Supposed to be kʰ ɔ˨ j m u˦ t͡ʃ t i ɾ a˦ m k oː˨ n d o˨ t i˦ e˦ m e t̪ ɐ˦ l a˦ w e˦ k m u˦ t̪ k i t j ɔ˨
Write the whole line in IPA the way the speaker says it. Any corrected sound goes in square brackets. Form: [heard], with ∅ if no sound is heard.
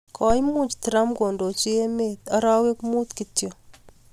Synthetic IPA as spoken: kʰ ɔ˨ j m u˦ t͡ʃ t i ɾ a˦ m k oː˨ n d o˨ [t͡ʃ] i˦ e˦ m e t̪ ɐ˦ [ɾ] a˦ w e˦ k m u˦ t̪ k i t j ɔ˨